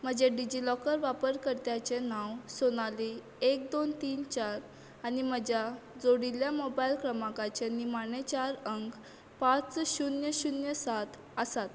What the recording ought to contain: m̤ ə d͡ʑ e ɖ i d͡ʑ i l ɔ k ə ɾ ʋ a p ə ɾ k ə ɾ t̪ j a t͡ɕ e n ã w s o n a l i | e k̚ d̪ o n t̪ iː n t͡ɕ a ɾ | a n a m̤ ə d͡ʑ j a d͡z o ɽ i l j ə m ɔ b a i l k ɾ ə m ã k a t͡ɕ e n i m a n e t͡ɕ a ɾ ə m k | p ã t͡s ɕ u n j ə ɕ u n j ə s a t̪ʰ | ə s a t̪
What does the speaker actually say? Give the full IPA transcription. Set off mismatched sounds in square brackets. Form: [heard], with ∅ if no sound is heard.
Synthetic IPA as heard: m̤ ə d͡ʑ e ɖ i d͡ʑ i l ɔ k ə ɾ ʋ a p ə ɾ k ə ɾ t̪ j a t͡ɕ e n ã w s o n a l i | e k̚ d̪ o n t̪ iː n t͡ɕ a ɾ | a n [i] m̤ ə d͡ʑ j a d͡z o ɽ i l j [a] m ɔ b a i l k ɾ ə m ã k a t͡ɕ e n i m a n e t͡ɕ a ɾ ə [ŋ] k | p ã t͡s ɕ u n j ə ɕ u n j ə s a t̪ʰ | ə s a t̪